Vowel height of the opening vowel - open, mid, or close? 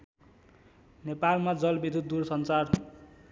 mid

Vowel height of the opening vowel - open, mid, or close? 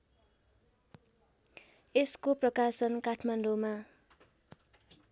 mid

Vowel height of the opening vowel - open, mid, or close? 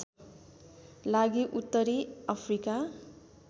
open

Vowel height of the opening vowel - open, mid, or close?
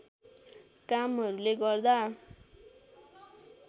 open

